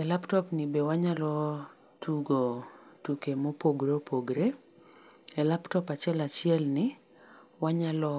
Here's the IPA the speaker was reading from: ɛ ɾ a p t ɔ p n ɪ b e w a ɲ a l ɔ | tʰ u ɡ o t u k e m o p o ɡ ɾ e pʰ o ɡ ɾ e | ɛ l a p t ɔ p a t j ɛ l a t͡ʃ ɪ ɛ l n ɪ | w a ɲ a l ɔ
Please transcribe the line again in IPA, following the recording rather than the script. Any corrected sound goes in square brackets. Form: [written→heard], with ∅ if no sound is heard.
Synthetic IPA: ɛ [ɾ→l] a p t ɔ p n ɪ b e w a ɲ a l ɔ | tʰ u ɡ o t u k e m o p o ɡ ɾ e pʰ o ɡ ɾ e | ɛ l a p t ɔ p a [t→t͡ʃ] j ɛ l a t͡ʃ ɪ ɛ l n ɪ | w a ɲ a l ɔ